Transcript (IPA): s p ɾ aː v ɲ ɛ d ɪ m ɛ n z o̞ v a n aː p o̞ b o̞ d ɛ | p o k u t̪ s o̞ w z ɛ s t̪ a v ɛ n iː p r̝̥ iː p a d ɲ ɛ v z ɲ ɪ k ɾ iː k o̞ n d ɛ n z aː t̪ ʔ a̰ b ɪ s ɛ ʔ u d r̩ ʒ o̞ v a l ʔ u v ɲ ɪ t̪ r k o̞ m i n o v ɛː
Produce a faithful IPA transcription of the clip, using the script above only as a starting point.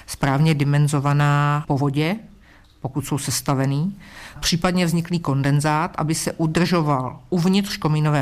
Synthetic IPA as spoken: s p ɾ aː v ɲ ɛ d ɪ m ɛ n z o̞ v a n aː p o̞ v o̞ ɟ ɛ | p o k u t̪ s o̞ w s ɛ s t̪ a v ɛ n iː p r̝̥ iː p a d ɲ ɛ v z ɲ ɪ k l iː k o̞ n d ɛ n z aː t̪ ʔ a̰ b ɪ s ɛ ʔ u d r̩ ʒ o̞ v a l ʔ u v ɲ ɪ t̪ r k o̞ m i n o v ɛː